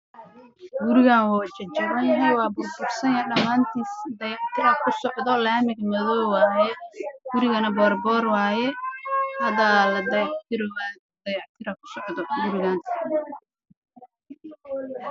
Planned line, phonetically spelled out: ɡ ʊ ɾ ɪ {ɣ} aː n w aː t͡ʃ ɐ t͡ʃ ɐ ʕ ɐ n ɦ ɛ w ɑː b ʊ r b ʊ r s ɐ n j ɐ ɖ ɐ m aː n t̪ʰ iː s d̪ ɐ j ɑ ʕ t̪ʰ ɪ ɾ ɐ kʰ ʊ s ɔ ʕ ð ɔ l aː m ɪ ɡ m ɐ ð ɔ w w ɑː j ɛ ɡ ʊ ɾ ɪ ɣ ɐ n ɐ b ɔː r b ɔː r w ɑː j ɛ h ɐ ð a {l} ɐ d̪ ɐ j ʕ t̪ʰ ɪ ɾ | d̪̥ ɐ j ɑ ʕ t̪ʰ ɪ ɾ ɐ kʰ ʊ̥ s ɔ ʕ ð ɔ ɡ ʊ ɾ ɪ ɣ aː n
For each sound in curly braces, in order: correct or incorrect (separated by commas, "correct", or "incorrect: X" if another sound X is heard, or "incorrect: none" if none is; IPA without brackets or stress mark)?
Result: correct, correct